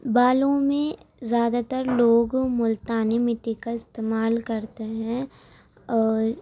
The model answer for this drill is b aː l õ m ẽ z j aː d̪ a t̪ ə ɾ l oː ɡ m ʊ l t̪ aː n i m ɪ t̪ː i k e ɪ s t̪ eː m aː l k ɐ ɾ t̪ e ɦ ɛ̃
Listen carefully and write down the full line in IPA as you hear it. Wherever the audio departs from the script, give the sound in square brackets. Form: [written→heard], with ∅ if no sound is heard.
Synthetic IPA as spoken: b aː l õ m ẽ z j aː d̪ a t̪ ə ɾ l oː ɡ m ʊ l t̪ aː n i m ɪ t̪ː i k [e→a] ɪ s t̪ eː m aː l k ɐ ɾ t̪ e ɦ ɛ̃

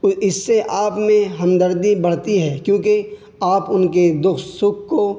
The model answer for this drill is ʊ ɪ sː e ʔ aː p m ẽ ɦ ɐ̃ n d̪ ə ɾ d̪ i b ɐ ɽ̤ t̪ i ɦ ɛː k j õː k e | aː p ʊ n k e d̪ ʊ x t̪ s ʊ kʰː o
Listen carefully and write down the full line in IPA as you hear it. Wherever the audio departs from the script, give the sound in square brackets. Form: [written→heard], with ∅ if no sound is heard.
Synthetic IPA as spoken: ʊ ɪ sː e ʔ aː p m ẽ ɦ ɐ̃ [n→m] d̪ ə ɾ d̪ i b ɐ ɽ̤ t̪ i ɦ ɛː k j õː k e | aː p ʊ n k e d̪ ʊ x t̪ s ʊ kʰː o

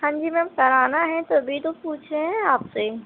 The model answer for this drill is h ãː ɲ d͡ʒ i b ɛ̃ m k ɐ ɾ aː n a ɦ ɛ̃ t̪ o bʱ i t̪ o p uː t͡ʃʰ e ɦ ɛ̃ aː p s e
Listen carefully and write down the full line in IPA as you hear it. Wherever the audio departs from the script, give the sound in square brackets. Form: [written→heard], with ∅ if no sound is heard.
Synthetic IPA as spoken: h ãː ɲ d͡ʒ i [b→m] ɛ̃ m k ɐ ɾ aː n a ɦ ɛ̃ t̪ o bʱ i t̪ o p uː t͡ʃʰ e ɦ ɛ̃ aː p s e

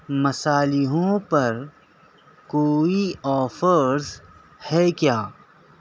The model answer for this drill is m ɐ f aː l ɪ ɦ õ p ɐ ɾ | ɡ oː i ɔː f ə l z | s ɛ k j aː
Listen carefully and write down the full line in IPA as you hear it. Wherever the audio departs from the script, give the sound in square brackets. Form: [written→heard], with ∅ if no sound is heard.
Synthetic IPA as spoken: m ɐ [f→s] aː l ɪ ɦ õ p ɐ ɾ | [ɡ→k] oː i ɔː f ə [l→ɾ] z | [s→h] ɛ k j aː

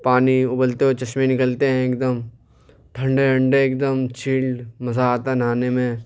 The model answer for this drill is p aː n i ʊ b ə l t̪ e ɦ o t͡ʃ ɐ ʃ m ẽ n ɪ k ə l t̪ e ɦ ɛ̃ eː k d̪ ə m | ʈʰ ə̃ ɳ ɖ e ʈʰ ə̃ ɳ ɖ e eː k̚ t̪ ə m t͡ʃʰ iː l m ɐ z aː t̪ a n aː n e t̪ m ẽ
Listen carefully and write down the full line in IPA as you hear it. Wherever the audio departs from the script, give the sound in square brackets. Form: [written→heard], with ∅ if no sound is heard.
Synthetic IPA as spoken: p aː n i ʊ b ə l t̪ e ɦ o t͡ʃ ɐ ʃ m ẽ n ɪ k ə l t̪ e ɦ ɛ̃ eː k d̪ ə m | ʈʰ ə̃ ɳ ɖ e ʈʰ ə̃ ɳ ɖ e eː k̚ [t̪→d̪] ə m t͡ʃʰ iː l m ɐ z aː t̪ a n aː n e [t̪→∅] m ẽ

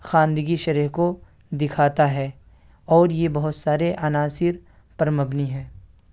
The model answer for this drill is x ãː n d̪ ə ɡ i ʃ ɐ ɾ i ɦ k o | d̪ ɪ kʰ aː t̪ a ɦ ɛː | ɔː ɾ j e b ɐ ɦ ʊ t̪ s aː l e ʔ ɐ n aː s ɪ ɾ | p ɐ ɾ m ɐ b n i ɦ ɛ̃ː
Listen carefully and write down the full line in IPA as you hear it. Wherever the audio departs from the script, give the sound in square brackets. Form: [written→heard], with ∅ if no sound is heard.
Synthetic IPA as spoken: x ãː n d̪ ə ɡ i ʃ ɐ ɾ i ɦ k o | d̪ ɪ kʰ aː t̪ a ɦ ɛː | ɔː ɾ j e b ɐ ɦ ʊ t̪ s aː [l→ɾ] e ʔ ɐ n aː s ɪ ɾ | p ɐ ɾ m ɐ b n i ɦ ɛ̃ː

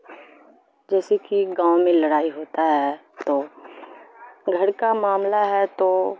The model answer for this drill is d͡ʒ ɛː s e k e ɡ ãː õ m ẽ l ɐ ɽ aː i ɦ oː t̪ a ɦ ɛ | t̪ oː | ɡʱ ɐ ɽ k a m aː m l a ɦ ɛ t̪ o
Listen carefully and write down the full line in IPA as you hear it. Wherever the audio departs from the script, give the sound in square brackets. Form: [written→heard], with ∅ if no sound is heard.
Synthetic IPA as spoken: d͡ʒ ɛː s e k [e→i] ɡ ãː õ m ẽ l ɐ ɽ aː i ɦ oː t̪ a ɦ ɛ | t̪ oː | ɡʱ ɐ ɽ k a m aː m l a ɦ ɛ t̪ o

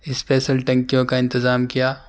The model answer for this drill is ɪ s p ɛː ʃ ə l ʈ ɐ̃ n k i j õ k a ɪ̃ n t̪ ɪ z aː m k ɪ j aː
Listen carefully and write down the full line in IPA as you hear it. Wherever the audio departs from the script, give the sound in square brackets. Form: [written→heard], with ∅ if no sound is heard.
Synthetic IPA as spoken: ɪ s p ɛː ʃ ə l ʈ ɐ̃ [n→ŋ] k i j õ k a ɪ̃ n t̪ ɪ z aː m k [ɪ→i] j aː

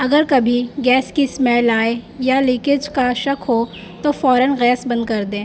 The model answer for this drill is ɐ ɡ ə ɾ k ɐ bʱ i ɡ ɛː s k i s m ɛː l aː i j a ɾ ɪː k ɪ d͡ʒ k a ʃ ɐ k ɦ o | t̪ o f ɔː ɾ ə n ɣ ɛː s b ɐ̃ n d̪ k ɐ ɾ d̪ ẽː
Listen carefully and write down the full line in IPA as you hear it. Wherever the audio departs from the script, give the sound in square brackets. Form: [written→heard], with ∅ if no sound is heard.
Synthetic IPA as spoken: ɐ ɡ ə ɾ k ɐ bʱ i ɡ ɛː s k i s m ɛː l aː [i→e] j a [ɾ→l] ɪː k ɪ d͡ʒ k a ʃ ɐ k ɦ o | t̪ o f ɔː ɾ ə n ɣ ɛː s b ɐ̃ n d̪ k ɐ ɾ d̪ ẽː

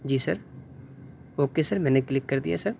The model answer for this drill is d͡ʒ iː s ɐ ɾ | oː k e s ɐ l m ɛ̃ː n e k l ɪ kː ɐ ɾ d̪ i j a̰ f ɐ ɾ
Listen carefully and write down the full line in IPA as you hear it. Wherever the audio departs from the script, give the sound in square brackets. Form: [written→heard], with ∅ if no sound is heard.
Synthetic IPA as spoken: d͡ʒ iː s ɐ ɾ | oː k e s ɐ [l→ɾ] m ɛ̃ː n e k l ɪ kː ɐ ɾ d̪ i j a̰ [f→s] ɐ ɾ

